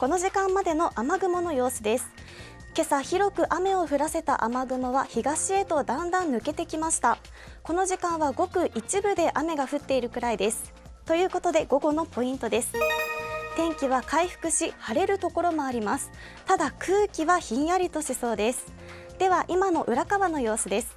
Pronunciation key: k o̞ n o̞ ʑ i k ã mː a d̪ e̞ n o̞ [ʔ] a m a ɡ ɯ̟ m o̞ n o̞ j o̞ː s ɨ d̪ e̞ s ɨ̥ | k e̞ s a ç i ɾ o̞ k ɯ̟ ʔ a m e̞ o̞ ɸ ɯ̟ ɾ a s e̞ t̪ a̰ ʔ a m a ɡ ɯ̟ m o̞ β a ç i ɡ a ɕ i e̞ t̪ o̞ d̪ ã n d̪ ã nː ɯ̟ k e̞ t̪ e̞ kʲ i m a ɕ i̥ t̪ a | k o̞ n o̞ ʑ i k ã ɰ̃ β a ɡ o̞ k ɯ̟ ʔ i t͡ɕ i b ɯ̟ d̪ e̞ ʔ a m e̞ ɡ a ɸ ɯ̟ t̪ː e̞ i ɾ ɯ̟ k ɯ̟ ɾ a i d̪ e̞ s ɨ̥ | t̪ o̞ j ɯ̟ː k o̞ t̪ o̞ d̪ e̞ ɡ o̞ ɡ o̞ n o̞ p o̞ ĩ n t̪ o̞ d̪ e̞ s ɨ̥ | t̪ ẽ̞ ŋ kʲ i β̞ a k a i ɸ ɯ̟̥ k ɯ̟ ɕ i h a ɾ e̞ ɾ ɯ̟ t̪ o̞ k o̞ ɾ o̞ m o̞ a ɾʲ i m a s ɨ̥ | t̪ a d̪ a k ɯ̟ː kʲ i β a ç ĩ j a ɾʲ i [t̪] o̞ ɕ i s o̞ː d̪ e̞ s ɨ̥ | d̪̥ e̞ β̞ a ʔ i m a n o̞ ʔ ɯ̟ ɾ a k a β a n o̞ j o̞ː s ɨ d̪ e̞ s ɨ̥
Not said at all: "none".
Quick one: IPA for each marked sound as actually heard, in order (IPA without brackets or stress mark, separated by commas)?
ʔ, t̪